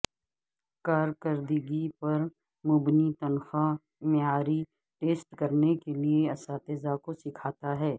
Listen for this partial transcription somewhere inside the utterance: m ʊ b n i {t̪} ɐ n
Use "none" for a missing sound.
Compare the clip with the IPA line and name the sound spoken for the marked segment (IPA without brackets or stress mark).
t̪